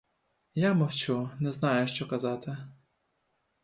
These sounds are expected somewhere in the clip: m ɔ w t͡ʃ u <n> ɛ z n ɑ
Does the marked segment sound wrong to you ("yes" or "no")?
no